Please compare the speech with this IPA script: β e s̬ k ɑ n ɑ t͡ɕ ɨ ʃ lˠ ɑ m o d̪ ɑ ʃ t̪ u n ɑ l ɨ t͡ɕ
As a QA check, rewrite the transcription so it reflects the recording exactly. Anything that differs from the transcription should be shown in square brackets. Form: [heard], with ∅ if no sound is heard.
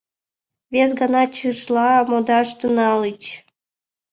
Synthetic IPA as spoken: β e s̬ [ɡ] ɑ n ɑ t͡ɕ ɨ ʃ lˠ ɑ m o d̪ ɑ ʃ t̪ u n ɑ l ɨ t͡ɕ